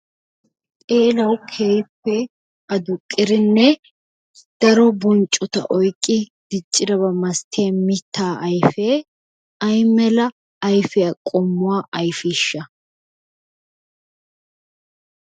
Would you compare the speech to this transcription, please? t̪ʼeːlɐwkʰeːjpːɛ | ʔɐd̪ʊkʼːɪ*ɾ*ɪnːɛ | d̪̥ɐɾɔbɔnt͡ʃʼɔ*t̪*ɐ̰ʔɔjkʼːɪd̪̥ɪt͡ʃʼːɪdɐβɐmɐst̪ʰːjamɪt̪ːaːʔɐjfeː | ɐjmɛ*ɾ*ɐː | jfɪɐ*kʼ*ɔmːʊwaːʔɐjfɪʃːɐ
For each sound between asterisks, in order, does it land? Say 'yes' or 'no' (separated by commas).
yes, yes, no, yes